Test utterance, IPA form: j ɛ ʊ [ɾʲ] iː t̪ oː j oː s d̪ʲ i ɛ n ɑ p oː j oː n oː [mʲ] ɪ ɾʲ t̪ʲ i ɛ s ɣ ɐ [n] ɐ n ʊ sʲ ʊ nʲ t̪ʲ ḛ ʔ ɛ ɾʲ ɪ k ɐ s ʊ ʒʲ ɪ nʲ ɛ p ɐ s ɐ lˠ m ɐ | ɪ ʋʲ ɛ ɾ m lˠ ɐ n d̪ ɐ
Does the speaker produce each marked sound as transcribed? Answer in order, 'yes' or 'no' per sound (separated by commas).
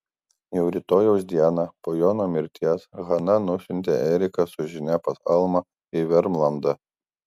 yes, yes, yes